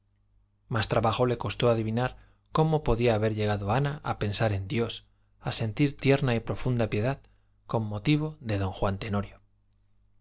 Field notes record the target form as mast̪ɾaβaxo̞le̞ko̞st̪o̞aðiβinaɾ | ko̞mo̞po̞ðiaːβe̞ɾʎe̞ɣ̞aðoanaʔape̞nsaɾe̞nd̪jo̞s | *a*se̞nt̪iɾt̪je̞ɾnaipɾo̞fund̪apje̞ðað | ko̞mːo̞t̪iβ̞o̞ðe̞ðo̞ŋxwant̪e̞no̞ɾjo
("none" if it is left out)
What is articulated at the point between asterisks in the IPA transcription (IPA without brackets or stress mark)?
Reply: a